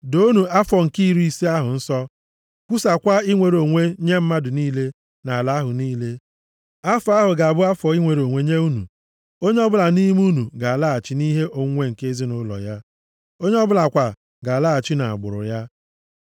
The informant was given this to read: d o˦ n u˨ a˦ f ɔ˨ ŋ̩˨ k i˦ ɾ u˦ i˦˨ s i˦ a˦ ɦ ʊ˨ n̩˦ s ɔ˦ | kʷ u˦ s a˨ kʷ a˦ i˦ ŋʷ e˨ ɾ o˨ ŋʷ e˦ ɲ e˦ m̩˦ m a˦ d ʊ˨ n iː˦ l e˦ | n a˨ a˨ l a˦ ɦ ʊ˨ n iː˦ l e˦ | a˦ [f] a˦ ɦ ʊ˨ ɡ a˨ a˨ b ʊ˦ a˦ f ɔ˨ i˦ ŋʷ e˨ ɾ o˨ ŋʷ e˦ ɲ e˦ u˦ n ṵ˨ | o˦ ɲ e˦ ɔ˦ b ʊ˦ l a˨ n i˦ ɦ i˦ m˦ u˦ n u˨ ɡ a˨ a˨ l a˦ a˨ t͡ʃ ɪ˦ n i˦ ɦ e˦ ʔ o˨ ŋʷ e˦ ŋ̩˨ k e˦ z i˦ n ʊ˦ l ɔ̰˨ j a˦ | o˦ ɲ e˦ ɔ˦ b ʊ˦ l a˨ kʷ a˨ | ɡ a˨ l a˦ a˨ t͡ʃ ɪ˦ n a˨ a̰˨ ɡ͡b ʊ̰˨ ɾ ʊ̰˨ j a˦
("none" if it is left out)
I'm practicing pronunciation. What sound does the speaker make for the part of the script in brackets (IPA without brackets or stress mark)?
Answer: f